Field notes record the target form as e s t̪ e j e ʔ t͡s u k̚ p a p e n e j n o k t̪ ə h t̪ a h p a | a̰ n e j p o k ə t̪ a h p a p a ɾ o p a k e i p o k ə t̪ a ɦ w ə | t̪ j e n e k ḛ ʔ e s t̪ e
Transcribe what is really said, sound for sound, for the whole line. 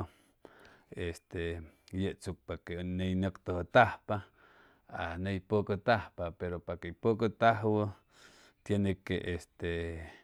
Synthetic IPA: e s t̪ e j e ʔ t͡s u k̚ p a k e n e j n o k t̪ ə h t̪ a h p a | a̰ n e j p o k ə t̪ a h p a p e ɾ o p a k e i p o k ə t̪ a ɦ w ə | t̪ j e n e k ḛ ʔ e s t̪ e